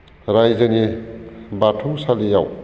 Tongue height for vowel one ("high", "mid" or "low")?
low